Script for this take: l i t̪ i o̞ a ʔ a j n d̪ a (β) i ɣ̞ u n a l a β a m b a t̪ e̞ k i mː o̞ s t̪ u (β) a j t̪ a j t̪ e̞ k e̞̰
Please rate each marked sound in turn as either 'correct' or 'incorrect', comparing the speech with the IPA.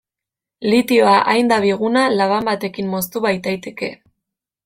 correct, correct

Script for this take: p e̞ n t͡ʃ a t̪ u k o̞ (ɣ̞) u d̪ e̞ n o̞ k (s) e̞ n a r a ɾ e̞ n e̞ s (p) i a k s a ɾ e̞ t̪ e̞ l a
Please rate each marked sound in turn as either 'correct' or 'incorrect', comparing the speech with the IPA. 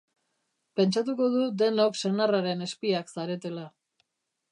incorrect, correct, correct

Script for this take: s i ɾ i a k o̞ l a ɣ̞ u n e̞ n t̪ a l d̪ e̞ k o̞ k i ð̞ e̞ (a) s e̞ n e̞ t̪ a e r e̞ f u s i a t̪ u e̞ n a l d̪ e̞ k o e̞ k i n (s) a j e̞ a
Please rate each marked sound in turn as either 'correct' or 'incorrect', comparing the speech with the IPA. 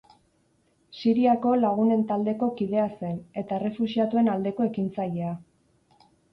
correct, incorrect

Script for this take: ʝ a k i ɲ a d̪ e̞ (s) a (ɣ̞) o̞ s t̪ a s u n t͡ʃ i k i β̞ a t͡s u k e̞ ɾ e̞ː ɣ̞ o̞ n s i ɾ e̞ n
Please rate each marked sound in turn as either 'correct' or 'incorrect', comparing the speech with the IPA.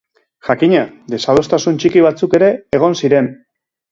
correct, incorrect

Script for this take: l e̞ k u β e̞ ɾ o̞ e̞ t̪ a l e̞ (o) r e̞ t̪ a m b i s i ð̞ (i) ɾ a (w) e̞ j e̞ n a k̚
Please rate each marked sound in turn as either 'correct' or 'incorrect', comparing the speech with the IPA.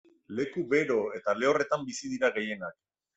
correct, correct, incorrect

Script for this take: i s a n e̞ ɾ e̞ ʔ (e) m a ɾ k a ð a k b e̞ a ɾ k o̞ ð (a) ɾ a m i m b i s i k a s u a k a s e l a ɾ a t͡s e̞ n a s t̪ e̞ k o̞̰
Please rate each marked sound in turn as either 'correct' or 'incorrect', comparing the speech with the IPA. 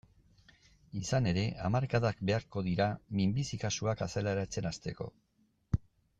incorrect, incorrect

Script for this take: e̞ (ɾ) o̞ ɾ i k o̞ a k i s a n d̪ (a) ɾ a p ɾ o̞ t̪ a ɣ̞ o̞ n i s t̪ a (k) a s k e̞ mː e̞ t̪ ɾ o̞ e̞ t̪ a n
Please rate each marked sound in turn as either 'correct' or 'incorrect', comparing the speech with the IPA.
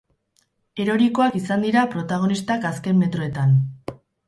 correct, incorrect, correct

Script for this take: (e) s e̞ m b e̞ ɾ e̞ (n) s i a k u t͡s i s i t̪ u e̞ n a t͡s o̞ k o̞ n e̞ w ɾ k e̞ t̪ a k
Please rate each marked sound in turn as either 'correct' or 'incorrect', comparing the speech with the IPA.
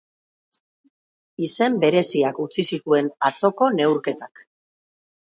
incorrect, incorrect

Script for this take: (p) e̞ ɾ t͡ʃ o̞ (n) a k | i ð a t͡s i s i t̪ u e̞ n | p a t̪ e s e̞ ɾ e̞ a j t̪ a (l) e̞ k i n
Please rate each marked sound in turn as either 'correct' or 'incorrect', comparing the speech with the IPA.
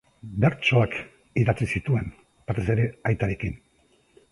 incorrect, incorrect, incorrect

